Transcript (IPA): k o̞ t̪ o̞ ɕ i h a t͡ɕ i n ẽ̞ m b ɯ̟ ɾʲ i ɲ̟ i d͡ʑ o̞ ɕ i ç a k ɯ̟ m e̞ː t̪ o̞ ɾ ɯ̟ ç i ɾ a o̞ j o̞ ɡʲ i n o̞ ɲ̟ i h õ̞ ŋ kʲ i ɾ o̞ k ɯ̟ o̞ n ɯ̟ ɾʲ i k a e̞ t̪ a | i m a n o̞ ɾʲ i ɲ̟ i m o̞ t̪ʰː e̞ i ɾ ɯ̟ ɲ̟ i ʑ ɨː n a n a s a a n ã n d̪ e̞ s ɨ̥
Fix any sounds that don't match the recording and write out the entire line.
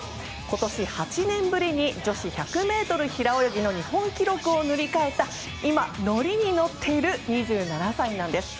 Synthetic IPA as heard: k o̞ t̪ o̞ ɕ i h a t͡ɕ i n ẽ̞ m b ɯ̟ ɾʲ i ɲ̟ i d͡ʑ o̞ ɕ i ç a k ɯ̟ m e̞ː t̪ o̞ ɾ ɯ̟ ç i ɾ a o̞ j o̞ ɡʲ i n o̞ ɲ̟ i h õ̞ ŋ kʲ i ɾ o̞ k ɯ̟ o̞ n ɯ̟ ɾʲ i k a e̞ t̪ a | i m a n o̞ ɾʲ i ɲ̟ i n o̞ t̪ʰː e̞ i ɾ ɯ̟ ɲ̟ i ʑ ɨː n a n a s a i n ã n d̪ e̞ s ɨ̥